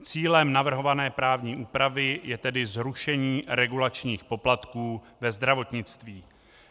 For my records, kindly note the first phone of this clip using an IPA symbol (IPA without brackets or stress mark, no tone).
t͡s